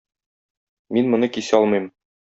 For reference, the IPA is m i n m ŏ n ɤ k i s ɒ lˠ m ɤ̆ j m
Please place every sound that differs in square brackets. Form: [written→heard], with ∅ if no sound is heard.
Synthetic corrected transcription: m i n m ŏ n ɤ k i s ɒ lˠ m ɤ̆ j m